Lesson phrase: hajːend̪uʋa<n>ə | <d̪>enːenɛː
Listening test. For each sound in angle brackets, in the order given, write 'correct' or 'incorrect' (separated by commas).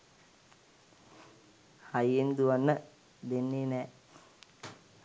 incorrect, correct